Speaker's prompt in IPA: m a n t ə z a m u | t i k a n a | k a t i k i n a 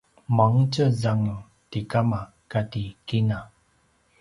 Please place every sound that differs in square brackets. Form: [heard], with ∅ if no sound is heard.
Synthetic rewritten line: m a [ŋ] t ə z a [ŋ] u | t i k a [m] a | k a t i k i n a